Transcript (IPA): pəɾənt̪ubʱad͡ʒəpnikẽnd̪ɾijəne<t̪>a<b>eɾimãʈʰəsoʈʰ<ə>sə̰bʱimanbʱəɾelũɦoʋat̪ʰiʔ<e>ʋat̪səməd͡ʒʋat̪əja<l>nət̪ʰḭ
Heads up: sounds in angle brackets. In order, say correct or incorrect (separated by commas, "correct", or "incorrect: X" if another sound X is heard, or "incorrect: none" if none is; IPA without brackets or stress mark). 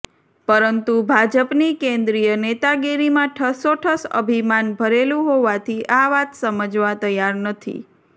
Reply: correct, incorrect: ɡ, correct, incorrect: a, incorrect: ɾ